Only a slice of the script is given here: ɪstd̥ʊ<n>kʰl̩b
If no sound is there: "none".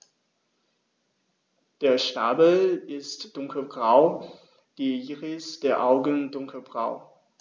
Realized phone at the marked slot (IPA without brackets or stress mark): ŋ